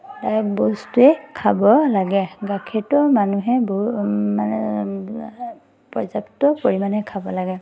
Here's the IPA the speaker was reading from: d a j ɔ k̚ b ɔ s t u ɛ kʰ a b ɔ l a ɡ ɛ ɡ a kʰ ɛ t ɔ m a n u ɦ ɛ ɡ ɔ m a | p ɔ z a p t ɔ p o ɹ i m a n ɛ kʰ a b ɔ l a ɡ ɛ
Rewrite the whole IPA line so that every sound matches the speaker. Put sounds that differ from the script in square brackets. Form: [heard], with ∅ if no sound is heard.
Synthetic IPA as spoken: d a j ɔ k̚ b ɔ s t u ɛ kʰ a b ɔ l a ɡ ɛ ɡ a kʰ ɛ t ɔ m a n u ɦ ɛ [b] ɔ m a | p ɔ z a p t ɔ p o ɹ i m a n ɛ kʰ a b ɔ l a ɡ ɛ